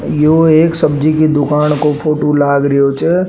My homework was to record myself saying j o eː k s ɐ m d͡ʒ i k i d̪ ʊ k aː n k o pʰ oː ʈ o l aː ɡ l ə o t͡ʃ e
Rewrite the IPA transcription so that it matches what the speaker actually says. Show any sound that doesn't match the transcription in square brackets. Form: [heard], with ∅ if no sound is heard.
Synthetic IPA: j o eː k s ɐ [b] d͡ʒ i k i d̪ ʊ k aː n k o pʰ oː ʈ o l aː ɡ [ɾ] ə o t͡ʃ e